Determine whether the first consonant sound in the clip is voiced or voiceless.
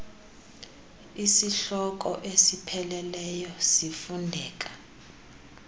voiceless